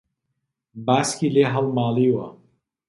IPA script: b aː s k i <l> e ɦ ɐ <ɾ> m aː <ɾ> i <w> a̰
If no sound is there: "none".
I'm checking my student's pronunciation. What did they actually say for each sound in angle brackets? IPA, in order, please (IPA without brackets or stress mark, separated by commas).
l, l, l, w